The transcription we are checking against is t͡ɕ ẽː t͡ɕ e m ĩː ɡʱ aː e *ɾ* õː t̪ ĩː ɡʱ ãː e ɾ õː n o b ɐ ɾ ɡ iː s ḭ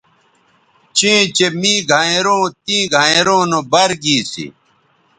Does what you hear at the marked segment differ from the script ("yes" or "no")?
no